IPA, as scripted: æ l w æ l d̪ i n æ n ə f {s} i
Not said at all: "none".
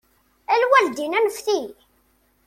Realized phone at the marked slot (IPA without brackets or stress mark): θ